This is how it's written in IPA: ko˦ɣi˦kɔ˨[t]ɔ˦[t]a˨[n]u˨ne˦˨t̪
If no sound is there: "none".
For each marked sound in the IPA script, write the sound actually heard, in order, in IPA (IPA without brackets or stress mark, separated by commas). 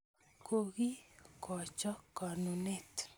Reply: t͡ʃ, k, n